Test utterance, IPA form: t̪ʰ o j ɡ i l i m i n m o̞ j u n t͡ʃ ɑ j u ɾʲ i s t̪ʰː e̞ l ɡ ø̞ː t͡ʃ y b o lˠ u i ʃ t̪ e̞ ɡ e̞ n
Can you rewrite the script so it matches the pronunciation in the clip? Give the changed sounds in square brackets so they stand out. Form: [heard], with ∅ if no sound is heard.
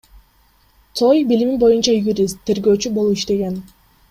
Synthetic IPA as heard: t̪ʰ o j [b] i l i m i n [b] o̞ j u n t͡ʃ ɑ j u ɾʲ i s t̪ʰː e̞ [ɾ] ɡ ø̞ː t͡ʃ y b o lˠ u i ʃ t̪ e̞ ɡ e̞ n